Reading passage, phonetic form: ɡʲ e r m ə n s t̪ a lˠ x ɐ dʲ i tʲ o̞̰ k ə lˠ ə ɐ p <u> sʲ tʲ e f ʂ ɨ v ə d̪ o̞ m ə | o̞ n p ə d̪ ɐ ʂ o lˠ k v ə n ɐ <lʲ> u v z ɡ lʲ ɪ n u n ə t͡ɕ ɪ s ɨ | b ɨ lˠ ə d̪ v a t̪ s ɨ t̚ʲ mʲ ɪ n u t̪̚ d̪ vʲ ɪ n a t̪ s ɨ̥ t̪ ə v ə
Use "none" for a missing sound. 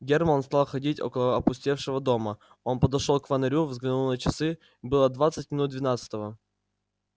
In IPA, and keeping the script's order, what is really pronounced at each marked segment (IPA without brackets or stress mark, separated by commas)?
ʊ, ɾʲ